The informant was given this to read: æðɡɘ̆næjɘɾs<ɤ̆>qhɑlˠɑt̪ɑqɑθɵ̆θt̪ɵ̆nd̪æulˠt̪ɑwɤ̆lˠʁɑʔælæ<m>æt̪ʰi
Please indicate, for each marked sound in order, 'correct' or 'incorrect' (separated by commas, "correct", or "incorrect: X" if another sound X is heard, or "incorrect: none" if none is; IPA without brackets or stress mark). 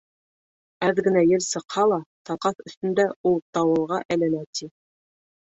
correct, incorrect: n